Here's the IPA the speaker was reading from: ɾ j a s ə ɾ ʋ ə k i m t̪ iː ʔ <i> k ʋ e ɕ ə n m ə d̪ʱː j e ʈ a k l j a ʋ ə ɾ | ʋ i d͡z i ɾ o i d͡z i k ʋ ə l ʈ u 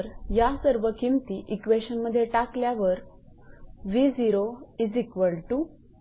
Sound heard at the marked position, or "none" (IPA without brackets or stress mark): i